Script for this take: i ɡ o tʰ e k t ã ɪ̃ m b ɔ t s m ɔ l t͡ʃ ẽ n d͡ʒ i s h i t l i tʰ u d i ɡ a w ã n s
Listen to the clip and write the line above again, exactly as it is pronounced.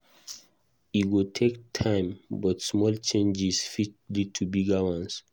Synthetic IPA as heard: i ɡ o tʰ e k tʰ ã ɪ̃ m b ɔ t s m ɔ l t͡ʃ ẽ n d͡ʒ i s f i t l i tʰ u b i ɡ a w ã n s

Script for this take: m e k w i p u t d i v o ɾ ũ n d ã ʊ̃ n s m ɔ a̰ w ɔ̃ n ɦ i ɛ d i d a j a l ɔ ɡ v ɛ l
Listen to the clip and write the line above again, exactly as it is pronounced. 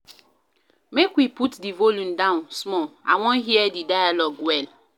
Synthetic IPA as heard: m e k w i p u t d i v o l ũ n d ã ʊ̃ n s m ɔ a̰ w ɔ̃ n ɦ i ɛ d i d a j a l ɔ ɡ w ɛ l

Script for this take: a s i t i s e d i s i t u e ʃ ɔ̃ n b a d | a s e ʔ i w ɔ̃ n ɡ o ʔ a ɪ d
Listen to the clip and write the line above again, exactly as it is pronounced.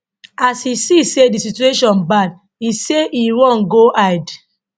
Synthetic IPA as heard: a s i s i s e d i s i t u e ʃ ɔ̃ n b a d | i s e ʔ i w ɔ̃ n ɡ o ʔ a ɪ d

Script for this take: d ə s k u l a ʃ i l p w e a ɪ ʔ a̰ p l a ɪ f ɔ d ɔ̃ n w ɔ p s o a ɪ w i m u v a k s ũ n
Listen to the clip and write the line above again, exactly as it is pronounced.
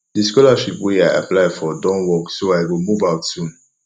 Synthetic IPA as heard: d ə s k ɔ l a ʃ i p w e a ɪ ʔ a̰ p l a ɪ f ɔ d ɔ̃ n w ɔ k s o a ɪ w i m u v a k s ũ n

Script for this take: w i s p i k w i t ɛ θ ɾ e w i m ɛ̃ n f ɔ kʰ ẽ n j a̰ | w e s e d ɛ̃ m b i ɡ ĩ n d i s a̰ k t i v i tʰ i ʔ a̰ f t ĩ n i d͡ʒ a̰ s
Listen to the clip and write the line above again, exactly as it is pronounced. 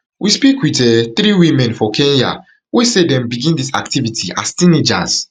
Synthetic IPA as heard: w i s p i k w i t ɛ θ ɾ i w i m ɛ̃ n f ɔ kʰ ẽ n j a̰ | w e s e d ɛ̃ m b i ɡ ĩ n d i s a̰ k t i v i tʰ i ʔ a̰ s t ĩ n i d͡ʒ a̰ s

